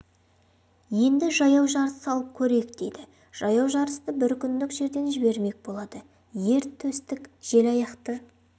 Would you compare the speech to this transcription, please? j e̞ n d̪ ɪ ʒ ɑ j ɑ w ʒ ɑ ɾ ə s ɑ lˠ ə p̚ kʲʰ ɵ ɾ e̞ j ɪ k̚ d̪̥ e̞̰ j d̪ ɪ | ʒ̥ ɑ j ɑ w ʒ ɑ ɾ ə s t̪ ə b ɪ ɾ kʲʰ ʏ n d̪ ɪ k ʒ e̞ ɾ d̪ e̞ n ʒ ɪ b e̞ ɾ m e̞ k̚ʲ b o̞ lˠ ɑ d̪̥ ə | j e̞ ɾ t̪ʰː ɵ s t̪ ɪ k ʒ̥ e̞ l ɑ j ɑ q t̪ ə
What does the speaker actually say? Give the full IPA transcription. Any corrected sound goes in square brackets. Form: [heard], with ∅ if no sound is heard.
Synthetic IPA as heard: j e̞ n d̪ ɪ ʒ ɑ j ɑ w ʒ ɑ ɾ ə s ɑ lˠ ə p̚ kʲʰ ɵ ɾ e̞ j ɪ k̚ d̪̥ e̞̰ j d̪ ɪ | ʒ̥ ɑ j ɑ w ʒ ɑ ɾ ə s t̪ ə b ɪ ɾ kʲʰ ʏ n d̪ ɪ k ʒ e̞ ɾ d̪ e̞ n ʒ ɪ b e̞ ɾ m e̞ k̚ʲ b o̞ lˠ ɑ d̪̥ ə | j e̞ ɾ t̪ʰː ɵ s t̪ ɪ k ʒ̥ e̞ l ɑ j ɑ q t̪ ə